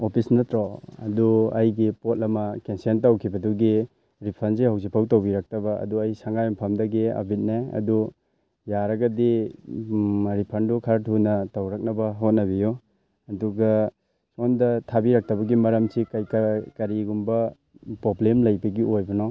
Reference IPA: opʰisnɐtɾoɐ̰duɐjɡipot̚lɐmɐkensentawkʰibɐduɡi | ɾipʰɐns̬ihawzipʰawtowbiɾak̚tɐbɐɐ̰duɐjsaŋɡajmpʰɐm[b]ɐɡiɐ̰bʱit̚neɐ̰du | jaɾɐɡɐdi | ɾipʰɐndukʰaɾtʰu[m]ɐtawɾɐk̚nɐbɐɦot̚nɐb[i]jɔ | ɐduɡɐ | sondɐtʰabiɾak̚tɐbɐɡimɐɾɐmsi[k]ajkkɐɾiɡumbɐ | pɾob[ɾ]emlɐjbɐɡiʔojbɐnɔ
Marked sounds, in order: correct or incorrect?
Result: incorrect, incorrect, correct, correct, incorrect

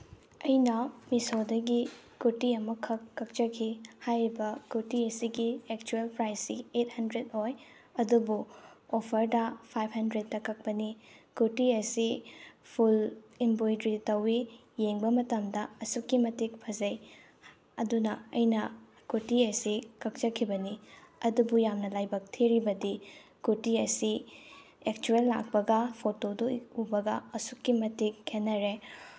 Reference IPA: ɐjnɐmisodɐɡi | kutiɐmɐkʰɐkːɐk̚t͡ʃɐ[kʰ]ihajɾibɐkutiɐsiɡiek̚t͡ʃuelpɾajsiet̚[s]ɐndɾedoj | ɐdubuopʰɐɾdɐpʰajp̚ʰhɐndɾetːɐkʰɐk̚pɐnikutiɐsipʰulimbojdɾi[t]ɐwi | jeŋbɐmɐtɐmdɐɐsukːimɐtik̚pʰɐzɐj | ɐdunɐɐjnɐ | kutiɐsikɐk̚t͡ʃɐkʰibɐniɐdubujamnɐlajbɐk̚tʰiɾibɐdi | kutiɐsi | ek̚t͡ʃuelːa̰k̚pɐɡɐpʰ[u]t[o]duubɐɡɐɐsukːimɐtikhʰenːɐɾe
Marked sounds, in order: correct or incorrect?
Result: correct, incorrect, correct, incorrect, correct

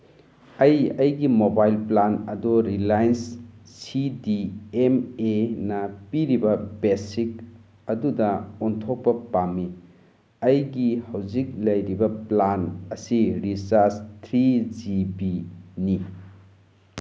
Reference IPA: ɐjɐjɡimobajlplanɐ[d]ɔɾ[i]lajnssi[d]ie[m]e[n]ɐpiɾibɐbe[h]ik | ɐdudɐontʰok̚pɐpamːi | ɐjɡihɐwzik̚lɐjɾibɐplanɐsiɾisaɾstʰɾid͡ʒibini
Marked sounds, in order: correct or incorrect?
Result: correct, correct, correct, correct, correct, incorrect

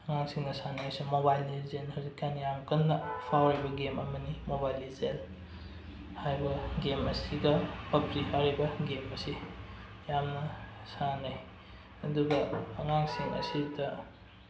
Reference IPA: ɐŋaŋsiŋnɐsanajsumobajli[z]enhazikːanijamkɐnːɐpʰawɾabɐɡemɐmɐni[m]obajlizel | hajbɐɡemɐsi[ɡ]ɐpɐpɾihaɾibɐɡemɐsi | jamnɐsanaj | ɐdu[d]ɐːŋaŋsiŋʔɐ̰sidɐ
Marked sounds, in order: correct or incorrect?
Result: correct, correct, correct, incorrect

